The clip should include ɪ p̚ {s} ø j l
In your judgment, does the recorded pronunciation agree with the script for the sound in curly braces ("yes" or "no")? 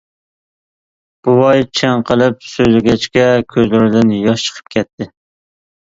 yes